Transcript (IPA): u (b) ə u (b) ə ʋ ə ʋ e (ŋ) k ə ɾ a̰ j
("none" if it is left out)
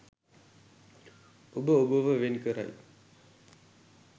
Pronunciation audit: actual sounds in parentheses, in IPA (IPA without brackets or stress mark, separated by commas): b, b, n